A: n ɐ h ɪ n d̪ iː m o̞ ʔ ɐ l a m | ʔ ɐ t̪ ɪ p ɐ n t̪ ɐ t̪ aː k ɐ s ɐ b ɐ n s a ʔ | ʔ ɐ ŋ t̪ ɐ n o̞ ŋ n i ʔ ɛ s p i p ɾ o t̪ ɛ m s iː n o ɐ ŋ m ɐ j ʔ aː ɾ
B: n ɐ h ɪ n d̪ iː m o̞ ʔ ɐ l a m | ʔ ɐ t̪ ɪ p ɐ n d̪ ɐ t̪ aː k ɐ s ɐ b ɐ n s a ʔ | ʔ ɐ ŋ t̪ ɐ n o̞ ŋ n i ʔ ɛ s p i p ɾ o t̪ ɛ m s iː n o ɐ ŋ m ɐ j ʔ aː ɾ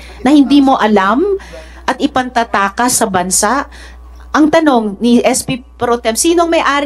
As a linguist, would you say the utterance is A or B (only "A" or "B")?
A